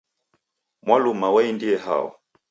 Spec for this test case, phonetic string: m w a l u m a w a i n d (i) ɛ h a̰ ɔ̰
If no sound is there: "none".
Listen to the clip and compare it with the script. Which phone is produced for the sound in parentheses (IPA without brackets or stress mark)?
i